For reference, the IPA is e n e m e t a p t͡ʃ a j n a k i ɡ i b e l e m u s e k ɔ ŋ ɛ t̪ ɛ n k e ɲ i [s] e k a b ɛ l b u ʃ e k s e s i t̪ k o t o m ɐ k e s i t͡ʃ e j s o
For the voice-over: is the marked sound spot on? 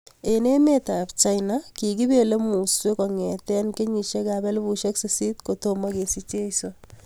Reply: no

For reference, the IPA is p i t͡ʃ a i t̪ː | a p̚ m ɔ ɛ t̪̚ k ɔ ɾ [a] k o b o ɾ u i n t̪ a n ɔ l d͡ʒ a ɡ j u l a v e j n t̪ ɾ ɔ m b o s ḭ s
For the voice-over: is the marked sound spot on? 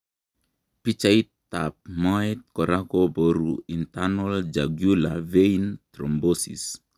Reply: yes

